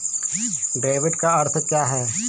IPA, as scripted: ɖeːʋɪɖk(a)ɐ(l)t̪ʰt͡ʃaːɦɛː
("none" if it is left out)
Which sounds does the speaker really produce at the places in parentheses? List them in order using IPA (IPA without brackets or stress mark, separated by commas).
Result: a, ɾ